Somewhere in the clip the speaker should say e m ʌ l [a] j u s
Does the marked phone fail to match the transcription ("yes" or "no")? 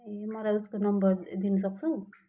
no